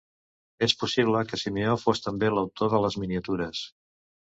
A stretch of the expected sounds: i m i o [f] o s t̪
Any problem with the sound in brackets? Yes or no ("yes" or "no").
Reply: no